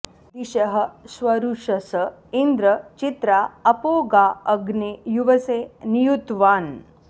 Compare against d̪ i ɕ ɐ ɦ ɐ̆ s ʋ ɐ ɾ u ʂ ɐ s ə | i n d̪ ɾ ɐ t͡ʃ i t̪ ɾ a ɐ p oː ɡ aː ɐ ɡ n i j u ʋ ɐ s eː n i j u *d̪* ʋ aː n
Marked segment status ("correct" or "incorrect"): incorrect